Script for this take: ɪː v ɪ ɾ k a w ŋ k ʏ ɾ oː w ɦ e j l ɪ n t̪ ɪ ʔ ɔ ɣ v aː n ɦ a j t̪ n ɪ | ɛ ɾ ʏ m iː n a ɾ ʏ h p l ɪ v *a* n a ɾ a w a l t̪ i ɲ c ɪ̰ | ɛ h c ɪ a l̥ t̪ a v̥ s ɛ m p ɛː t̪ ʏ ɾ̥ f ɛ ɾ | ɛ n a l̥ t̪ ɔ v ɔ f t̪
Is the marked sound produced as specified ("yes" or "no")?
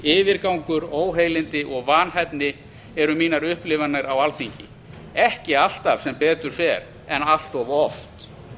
yes